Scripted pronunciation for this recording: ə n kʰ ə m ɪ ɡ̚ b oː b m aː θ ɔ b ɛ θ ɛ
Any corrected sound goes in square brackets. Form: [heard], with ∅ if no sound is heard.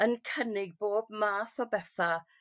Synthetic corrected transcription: ə n kʰ ə [n] ɪ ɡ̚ b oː b m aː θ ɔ b ɛ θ [a]